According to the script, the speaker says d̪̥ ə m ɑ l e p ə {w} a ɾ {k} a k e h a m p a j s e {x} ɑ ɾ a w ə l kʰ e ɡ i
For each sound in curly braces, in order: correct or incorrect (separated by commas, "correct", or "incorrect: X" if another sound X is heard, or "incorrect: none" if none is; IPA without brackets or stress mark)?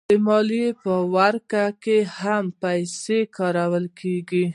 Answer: correct, correct, incorrect: k